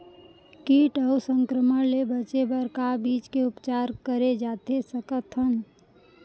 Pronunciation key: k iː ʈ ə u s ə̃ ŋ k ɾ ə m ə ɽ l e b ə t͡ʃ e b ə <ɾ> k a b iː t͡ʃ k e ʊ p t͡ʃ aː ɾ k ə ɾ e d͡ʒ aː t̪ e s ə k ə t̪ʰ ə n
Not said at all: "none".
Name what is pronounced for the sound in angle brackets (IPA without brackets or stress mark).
ɾ